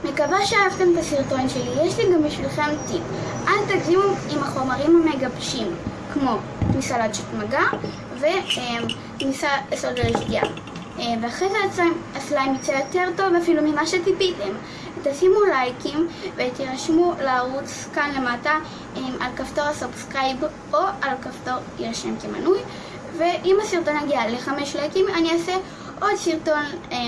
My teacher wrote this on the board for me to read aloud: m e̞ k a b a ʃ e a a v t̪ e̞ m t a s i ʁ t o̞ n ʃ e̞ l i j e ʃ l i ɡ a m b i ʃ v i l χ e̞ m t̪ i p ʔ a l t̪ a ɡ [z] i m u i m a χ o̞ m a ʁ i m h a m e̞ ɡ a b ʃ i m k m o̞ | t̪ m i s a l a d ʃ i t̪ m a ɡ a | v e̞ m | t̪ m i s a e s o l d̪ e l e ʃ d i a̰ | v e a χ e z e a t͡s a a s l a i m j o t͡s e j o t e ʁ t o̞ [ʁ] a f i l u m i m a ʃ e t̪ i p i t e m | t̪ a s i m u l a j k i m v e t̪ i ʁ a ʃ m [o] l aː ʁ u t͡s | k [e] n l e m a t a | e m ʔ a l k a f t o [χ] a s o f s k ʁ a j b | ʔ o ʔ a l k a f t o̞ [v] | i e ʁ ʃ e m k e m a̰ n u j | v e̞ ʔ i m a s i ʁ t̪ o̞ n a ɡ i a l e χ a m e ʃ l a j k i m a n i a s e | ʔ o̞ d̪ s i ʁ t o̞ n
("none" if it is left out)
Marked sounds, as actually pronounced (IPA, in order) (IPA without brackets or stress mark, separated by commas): z, v, u, a, ʁ, ʁ